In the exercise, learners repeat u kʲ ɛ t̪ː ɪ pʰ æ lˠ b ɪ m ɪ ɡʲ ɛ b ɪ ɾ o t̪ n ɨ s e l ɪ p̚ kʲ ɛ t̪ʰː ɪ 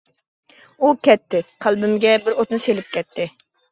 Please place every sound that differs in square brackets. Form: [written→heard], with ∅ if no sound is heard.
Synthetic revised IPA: u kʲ ɛ t̪ː ɪ [pʰ→qʰ] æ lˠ b ɪ m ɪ ɡʲ ɛ b ɪ ɾ o t̪ n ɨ s e l ɪ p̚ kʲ ɛ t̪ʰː ɪ